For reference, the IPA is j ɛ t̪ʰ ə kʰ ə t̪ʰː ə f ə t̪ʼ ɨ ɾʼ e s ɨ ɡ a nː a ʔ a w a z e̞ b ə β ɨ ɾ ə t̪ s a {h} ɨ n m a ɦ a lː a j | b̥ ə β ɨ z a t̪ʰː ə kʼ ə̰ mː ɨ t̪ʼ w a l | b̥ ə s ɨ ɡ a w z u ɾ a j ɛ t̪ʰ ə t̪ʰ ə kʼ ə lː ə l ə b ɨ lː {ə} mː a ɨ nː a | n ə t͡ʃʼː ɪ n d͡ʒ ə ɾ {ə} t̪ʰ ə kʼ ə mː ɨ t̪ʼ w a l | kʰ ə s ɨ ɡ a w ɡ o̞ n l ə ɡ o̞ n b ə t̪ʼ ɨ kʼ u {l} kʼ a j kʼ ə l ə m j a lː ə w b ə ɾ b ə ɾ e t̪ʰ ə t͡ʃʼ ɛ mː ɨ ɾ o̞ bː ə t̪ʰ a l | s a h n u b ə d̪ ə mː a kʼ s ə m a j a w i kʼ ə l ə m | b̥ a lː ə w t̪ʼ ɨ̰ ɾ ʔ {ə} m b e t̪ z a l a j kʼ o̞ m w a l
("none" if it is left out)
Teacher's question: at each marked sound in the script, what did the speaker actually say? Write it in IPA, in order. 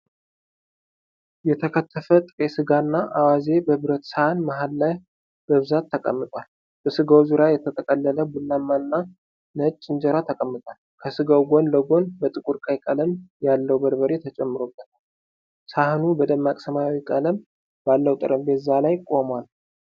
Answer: h, a, a, ɾ, ə

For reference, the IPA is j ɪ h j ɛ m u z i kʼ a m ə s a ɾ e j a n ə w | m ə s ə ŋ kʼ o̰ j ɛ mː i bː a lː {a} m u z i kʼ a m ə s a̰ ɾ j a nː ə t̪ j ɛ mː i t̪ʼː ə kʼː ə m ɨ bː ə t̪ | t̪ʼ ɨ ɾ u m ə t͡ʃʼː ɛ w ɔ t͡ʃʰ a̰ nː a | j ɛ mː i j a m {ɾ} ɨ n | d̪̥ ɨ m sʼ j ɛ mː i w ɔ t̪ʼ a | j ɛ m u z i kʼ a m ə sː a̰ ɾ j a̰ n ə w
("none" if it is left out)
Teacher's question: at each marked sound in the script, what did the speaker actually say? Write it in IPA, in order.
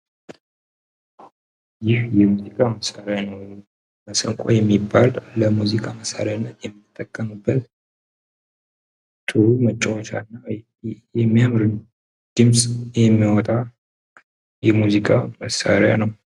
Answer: ə, ɾ

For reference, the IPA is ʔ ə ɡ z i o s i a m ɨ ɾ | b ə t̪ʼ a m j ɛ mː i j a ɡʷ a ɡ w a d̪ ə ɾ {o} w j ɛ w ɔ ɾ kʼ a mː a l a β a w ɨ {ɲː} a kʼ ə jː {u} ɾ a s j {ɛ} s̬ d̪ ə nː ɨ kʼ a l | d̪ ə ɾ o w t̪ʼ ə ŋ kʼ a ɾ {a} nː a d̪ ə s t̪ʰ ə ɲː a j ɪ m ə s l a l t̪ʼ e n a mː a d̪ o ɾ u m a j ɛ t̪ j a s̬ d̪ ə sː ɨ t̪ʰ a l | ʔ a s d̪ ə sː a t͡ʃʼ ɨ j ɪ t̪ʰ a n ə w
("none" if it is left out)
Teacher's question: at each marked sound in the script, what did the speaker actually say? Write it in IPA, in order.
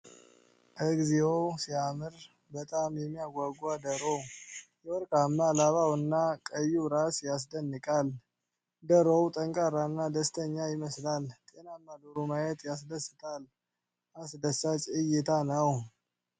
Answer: o, nː, u, a, a

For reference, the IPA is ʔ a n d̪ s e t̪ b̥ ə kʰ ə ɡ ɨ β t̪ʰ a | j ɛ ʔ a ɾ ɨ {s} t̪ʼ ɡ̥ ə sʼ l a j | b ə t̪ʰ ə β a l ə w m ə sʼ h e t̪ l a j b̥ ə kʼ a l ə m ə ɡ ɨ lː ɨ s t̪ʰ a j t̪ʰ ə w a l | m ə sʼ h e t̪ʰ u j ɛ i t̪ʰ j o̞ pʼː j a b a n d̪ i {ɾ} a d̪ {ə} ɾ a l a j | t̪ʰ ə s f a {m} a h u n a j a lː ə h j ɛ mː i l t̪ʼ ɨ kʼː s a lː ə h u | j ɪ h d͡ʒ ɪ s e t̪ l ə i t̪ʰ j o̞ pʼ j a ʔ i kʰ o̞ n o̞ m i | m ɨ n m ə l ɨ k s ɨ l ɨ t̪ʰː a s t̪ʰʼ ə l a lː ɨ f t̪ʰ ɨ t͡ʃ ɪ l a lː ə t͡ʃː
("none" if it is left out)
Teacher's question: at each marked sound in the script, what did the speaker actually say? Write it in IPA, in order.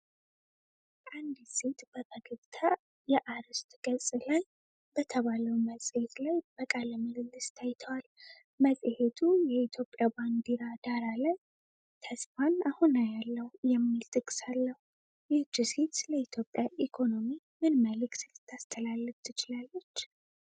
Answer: s, ɾ, a, n

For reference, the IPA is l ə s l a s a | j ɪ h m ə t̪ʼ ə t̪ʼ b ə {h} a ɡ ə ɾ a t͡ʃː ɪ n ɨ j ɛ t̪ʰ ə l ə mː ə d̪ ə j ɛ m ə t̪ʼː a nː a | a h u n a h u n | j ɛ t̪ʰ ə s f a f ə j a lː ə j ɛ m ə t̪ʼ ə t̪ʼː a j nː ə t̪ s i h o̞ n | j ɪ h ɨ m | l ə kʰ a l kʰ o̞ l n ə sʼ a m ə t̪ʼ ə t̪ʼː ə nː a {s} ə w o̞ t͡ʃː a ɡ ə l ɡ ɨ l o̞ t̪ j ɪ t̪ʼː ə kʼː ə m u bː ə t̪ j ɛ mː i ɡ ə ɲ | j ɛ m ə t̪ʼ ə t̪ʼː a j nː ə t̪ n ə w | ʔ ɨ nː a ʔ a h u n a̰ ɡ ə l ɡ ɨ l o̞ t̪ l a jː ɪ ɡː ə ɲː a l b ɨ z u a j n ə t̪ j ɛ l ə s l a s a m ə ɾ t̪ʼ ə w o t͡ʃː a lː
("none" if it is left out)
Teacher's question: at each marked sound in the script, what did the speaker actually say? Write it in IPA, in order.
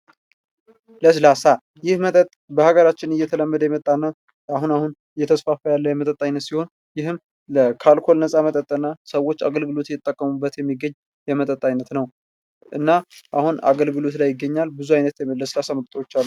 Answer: h, s

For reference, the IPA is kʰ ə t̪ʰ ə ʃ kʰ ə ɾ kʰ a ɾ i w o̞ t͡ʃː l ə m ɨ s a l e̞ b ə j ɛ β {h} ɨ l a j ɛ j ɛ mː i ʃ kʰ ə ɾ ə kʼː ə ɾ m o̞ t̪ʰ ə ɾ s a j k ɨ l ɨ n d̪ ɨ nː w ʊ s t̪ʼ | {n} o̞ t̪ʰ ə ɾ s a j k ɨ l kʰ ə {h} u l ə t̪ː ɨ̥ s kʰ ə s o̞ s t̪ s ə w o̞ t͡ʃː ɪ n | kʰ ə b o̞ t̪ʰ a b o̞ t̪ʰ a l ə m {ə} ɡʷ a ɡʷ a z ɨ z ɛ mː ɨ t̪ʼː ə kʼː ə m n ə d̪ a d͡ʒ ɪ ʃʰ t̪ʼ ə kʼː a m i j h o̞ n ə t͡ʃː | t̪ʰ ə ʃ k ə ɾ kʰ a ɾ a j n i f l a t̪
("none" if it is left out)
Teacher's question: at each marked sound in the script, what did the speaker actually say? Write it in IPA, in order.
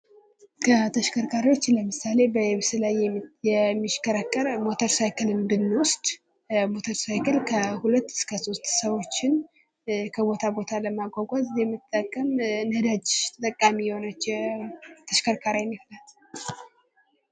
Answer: s, m, h, a

